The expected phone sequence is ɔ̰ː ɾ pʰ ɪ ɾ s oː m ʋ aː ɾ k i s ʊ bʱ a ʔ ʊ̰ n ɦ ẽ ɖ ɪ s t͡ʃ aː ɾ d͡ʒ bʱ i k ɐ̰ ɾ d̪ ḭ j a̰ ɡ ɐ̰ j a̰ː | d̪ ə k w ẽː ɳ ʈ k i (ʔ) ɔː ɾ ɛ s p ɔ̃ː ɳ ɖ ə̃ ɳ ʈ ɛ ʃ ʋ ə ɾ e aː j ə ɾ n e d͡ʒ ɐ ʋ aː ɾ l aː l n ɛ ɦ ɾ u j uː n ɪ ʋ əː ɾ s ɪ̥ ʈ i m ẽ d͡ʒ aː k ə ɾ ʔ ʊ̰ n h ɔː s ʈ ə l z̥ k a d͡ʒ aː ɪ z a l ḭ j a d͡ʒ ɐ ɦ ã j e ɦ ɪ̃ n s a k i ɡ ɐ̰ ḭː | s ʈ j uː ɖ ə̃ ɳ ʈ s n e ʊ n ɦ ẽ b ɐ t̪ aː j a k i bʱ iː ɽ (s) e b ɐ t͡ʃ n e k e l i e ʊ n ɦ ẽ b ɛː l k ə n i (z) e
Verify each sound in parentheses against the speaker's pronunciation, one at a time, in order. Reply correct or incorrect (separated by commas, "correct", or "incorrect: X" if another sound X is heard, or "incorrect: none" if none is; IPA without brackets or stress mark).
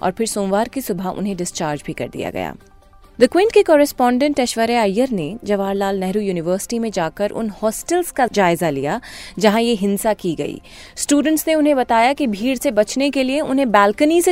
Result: incorrect: k, correct, incorrect: s